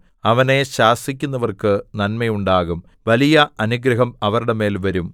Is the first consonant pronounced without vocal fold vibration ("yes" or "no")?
no